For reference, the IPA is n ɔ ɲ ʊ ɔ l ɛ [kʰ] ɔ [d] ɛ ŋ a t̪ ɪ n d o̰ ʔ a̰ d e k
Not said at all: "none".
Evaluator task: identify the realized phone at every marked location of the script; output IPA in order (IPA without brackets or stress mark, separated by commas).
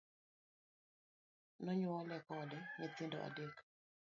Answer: k, d